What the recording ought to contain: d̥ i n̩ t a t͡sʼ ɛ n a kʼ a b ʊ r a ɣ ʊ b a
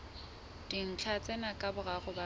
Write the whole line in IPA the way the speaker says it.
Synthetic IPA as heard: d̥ i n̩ t͡ɬʰ a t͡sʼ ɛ n a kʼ a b ʊ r a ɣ ʊ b a